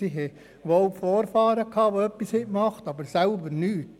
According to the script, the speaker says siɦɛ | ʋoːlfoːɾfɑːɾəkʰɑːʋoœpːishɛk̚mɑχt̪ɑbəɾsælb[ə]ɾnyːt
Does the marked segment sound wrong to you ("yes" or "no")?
no